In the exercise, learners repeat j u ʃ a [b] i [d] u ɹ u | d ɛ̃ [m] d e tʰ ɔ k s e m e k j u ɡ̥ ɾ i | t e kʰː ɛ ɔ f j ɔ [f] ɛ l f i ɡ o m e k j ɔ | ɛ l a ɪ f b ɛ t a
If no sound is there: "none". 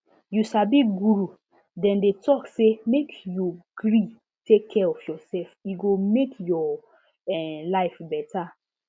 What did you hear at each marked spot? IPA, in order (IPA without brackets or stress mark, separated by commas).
b, ɡ, n, s